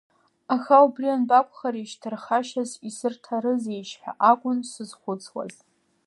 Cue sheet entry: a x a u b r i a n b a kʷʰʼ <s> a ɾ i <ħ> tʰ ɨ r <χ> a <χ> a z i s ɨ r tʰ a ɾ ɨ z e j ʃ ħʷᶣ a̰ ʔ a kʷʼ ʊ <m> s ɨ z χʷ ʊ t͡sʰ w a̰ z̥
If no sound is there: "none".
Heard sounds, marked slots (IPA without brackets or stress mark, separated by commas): χ, ʃ, χ, ʃ, n